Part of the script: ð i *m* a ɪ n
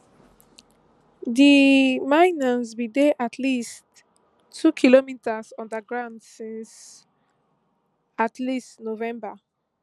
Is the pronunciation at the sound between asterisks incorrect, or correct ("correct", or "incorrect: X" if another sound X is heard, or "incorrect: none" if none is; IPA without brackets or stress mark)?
correct